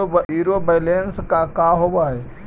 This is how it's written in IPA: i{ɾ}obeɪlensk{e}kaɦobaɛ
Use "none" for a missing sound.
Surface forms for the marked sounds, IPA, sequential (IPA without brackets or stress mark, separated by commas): ɾ, a